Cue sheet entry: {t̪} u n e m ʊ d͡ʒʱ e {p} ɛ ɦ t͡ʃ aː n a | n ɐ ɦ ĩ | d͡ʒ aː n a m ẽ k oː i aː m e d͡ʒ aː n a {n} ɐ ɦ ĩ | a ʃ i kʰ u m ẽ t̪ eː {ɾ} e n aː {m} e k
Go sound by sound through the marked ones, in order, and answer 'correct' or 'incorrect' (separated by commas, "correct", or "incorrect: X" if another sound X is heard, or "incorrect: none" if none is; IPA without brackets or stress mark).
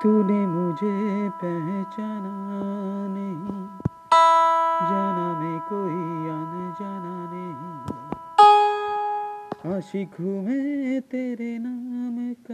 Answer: correct, correct, correct, correct, correct